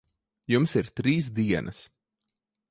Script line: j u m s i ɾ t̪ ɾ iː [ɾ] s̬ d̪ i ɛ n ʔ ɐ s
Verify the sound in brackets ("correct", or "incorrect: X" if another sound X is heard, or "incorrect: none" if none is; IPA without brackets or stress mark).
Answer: incorrect: none